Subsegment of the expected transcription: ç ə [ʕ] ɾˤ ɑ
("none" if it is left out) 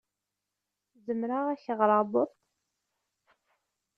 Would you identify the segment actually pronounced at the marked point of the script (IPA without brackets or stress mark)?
ʁ